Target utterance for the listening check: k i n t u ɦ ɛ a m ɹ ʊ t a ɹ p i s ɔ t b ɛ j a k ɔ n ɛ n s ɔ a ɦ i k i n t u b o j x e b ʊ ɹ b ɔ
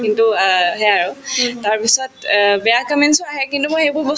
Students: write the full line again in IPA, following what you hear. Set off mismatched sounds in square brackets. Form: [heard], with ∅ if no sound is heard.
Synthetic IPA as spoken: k i n t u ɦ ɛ a [∅] ɹ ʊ t a ɹ p i s ɔ t b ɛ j a k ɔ [m] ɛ n s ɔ a ɦ [ɛ] k i n t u [m] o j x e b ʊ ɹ b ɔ